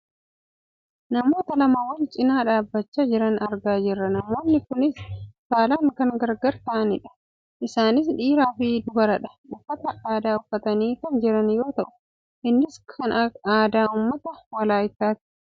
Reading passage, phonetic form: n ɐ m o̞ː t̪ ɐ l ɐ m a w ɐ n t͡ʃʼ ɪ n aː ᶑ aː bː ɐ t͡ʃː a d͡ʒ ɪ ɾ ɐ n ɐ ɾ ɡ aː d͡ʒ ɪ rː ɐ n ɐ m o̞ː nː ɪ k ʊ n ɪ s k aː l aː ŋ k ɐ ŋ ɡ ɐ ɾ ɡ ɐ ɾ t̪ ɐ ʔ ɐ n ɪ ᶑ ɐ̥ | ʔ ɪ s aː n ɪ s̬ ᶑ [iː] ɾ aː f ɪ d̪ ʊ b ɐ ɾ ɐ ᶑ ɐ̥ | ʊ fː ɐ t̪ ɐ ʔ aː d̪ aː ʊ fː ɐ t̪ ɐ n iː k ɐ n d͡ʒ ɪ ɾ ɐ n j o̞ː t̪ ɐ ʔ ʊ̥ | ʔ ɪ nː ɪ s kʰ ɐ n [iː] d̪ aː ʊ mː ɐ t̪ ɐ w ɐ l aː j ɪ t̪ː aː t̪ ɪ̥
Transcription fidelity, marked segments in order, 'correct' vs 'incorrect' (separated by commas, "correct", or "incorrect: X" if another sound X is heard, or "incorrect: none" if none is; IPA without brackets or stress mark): correct, incorrect: aː